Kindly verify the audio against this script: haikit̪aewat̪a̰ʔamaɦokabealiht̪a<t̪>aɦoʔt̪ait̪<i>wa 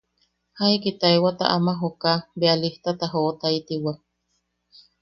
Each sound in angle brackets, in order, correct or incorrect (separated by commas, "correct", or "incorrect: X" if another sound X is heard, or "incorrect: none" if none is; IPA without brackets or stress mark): correct, correct